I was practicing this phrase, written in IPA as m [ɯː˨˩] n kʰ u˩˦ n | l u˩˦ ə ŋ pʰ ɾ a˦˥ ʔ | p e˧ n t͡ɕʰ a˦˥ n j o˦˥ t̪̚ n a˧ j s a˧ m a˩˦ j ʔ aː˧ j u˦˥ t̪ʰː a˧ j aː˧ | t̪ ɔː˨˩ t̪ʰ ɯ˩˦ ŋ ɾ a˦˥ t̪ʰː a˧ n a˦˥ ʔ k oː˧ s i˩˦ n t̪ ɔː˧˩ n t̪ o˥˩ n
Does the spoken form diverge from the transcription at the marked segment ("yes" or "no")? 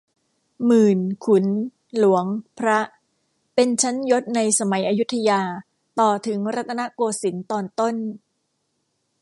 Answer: no